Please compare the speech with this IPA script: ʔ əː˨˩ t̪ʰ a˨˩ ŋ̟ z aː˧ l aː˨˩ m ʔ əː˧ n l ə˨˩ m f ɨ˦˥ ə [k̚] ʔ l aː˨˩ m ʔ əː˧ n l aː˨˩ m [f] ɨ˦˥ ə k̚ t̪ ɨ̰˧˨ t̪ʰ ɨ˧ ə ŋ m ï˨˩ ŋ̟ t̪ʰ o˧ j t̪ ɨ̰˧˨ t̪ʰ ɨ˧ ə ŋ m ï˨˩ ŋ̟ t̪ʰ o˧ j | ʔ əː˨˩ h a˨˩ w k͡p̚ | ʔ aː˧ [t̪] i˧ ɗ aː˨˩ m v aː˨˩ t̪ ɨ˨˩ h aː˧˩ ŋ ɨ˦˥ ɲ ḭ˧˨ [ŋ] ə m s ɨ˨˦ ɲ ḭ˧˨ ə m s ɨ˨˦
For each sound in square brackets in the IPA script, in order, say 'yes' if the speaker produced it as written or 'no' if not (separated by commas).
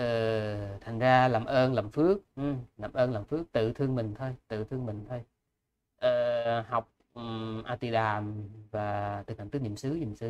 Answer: yes, yes, yes, no